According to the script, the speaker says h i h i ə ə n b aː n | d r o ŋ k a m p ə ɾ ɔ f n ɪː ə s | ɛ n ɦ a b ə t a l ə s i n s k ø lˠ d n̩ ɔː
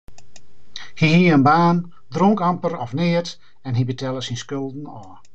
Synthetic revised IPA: h i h i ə ə n b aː n | d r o ŋ k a m p ə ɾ ɔ f n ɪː ə t | ɛ n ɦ i b ə t ɛ l ə s i n s k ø lˠ d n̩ ɔː